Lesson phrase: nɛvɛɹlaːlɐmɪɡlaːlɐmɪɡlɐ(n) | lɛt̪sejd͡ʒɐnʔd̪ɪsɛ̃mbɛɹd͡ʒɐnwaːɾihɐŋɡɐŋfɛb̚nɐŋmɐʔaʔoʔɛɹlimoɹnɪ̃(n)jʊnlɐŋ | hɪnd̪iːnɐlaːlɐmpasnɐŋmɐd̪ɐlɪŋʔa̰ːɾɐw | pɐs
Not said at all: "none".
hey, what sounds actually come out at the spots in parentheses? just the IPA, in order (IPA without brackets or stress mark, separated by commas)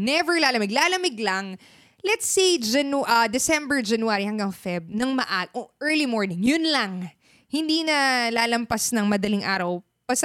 ŋ, ŋ